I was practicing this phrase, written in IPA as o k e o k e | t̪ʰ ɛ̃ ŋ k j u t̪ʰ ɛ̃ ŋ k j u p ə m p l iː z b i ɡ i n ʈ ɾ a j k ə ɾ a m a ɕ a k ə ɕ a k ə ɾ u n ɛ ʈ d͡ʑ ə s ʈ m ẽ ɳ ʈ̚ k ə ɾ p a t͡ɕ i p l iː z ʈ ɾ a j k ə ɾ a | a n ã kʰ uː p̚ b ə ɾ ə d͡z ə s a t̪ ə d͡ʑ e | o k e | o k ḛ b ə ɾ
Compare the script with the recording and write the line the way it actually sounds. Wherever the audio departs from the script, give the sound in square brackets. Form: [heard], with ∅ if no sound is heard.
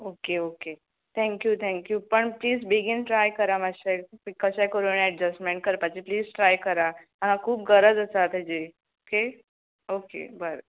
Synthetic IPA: o k e o k e | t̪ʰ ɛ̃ ŋ k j u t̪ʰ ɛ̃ ŋ k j u p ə [ɳ] p l iː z b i ɡ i n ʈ ɾ a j k ə ɾ a m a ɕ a k ə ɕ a k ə ɾ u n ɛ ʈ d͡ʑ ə s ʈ m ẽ ɳ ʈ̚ k ə ɾ p a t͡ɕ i p l iː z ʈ ɾ a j k ə ɾ a | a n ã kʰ uː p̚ [ɡ] ə ɾ ə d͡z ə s a t̪ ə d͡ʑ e | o k e | o k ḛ b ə ɾ